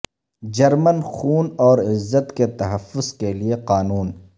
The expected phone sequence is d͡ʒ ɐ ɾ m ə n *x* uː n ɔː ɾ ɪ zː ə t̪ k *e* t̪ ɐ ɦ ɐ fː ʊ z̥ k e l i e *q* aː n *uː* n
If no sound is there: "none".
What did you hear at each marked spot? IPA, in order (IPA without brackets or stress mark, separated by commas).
x, e, q, uː